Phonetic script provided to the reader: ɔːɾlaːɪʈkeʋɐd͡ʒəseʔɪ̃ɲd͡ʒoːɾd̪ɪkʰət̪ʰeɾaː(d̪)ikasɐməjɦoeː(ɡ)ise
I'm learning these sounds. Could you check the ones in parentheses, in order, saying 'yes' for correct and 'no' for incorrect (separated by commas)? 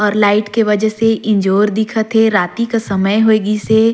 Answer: no, yes